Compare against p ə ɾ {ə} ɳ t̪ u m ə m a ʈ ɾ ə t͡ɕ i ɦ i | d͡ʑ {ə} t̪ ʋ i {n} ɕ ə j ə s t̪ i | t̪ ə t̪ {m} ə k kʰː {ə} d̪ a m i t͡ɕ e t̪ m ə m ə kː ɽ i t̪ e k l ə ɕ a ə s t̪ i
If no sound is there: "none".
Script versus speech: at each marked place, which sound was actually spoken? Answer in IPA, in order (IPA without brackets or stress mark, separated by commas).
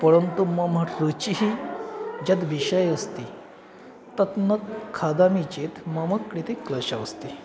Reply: ə, a, none, n, a